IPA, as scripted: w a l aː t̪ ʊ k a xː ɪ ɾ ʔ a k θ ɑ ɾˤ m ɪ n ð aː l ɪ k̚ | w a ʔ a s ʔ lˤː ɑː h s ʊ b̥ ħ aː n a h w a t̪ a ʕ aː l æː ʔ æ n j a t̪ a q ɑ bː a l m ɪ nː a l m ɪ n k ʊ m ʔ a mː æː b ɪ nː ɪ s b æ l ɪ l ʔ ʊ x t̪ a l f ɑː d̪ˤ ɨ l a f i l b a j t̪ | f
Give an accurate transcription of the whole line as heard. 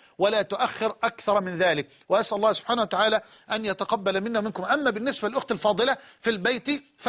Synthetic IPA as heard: w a l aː t̪ ʊ ʔ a xː ɪ ɾ ʔ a k θ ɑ ɾˤ m ɪ n ð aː l ɪ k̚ | w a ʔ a s ʔ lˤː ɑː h s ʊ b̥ ħ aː n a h w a t̪ a ʕ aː l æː ʔ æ n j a t̪ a q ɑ bː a l m ɪ nː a m ɪ n k ʊ m ʔ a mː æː b ɪ nː ɪ s b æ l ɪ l ʔ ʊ x t̪ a l f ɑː d̪ˤ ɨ l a f i l b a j t̪ | f